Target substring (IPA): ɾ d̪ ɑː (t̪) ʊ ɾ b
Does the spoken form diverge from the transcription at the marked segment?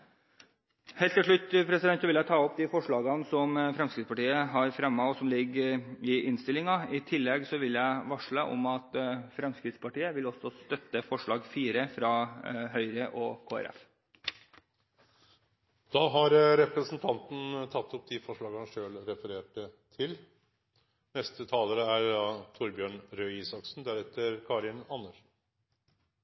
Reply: yes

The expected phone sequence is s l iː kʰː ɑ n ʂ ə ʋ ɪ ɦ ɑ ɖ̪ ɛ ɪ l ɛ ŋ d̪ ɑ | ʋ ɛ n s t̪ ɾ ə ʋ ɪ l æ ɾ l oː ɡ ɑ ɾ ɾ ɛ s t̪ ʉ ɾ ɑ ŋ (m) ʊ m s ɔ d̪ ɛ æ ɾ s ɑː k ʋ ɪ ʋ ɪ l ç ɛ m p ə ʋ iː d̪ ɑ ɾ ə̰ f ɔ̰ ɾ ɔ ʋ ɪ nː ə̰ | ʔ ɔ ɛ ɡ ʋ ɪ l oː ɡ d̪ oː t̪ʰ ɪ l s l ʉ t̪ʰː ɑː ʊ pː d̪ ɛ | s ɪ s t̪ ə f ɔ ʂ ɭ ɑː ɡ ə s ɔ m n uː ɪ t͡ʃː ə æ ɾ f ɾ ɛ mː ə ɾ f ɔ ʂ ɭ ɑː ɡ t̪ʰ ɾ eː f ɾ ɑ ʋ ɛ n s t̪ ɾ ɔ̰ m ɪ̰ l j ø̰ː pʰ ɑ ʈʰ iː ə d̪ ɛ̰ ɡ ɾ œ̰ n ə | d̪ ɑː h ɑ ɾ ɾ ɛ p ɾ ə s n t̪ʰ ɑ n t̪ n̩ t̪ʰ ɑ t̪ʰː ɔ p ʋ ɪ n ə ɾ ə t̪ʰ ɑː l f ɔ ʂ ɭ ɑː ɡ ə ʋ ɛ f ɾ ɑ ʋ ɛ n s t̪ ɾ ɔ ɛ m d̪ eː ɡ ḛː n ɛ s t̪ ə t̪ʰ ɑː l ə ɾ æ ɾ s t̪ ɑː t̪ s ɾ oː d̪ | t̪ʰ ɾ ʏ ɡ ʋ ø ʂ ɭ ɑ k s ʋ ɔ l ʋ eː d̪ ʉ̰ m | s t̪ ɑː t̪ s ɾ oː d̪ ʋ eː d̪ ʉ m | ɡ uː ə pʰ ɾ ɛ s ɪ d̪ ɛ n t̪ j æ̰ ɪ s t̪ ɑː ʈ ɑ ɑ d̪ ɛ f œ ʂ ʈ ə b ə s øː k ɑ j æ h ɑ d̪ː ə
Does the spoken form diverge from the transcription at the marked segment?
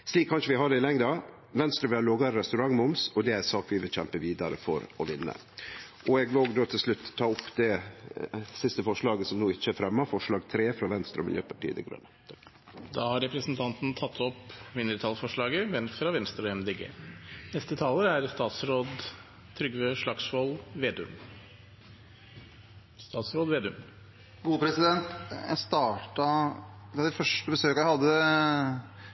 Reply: no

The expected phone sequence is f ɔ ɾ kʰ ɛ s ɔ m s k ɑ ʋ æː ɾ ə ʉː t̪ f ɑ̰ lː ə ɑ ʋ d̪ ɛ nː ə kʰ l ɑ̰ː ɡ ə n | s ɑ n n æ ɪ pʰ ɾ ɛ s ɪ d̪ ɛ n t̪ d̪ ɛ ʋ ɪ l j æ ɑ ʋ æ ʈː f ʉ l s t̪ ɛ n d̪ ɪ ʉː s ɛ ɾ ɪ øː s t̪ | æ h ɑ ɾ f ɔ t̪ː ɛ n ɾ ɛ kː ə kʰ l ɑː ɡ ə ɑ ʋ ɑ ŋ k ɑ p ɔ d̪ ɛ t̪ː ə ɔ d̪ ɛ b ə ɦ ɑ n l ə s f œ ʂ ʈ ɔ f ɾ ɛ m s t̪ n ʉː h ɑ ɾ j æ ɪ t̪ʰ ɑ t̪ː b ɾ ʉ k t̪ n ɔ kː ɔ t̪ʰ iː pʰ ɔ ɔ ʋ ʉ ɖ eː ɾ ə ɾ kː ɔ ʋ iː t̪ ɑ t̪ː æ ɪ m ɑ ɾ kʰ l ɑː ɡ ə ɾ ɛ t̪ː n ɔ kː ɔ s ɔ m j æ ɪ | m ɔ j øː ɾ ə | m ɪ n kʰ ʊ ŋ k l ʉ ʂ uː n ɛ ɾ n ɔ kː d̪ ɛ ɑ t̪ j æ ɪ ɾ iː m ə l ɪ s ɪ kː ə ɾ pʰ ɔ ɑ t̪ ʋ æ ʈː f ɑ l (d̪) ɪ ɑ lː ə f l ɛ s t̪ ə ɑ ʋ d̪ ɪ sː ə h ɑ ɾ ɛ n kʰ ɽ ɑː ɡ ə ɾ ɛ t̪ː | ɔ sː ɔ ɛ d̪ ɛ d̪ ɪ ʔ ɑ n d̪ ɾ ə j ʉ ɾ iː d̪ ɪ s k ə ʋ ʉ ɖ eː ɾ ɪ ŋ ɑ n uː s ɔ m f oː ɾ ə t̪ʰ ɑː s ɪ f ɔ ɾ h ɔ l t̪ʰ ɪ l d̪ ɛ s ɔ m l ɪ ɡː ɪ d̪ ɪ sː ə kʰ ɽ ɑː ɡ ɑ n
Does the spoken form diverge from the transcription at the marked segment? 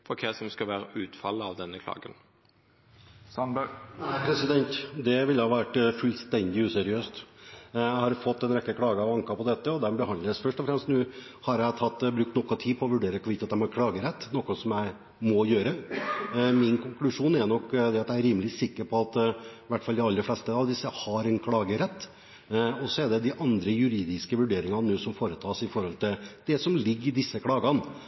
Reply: no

